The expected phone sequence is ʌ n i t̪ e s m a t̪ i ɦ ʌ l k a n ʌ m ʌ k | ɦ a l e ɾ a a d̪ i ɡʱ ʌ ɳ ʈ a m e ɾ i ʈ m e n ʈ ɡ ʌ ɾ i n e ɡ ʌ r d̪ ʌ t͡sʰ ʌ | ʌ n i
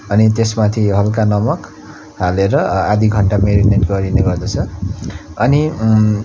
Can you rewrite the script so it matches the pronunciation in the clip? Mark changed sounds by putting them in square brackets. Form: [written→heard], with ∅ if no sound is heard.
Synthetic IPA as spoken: ʌ n i t̪ e s m a [t̪→t̪ʰ] i ɦ ʌ l k a n ʌ m ʌ k | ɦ a l e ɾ [a→ʌ] a d̪ i ɡʱ ʌ ɳ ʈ a m e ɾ i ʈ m e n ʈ ɡ ʌ ɾ i n e ɡ ʌ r d̪ ʌ t͡sʰ ʌ | ʌ n i